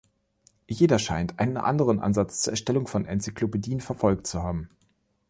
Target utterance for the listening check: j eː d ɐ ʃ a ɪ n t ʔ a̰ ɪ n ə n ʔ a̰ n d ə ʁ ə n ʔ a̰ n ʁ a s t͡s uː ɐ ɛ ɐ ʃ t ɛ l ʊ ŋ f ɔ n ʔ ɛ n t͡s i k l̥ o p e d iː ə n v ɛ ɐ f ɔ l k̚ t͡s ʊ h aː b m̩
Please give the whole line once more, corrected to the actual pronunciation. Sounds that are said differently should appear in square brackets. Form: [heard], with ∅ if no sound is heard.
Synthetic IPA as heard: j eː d ɐ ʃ a ɪ n t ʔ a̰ ɪ n ə n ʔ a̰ n d ə ʁ ə n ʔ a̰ n [z] a [t͡s] t͡s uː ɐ ɛ ɐ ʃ t ɛ l ʊ ŋ f ɔ n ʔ ɛ n t͡s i k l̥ o p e d iː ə n [f] ɛ ɐ f ɔ l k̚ t͡s [u] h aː b m̩